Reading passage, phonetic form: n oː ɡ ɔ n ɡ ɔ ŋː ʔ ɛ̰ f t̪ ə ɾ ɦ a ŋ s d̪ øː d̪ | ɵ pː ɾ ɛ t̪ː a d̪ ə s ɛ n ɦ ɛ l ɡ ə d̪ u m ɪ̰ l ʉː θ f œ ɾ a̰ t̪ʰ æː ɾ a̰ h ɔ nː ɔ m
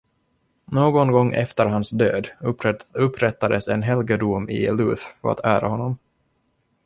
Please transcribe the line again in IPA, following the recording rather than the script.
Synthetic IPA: n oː ɡ ɔ n ɡ ɔ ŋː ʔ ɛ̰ f t̪ ə ɾ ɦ a n s d̪ øː d̪ | ɵ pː ɾ ɛ t̪ː a d̪ ə s ɛ n ɦ ɛ l ɡ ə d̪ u m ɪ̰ l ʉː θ f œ ɾ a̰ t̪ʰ æː ɾ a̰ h ɔ nː ɔ m